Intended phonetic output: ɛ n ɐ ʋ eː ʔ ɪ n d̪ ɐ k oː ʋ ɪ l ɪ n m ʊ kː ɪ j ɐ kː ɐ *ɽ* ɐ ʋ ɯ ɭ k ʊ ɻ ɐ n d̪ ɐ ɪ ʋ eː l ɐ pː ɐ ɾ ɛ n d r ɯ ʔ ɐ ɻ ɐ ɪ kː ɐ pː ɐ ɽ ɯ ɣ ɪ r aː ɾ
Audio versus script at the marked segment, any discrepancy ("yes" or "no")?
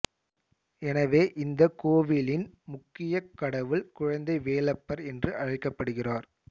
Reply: no